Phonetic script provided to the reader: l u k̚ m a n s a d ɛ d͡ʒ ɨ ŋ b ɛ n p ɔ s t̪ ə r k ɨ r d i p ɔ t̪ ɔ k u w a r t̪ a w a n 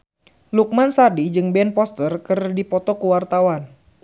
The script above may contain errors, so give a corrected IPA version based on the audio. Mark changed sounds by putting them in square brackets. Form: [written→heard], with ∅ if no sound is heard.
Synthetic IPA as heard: l u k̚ m a n s a d [ɛ→i] d͡ʒ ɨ ŋ b ɛ n p ɔ s t̪ ə r k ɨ r d i p ɔ t̪ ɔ k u w a r t̪ a w a n